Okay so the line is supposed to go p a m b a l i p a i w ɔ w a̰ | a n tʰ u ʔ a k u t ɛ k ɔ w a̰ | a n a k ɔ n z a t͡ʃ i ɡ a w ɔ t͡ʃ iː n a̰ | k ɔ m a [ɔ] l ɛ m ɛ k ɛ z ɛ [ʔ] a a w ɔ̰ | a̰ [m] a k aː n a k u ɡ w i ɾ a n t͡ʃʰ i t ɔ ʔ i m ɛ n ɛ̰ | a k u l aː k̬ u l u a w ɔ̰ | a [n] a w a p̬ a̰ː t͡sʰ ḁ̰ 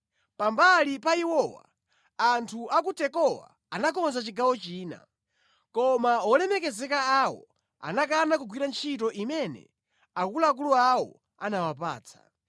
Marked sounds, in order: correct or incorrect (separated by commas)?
correct, incorrect, incorrect, correct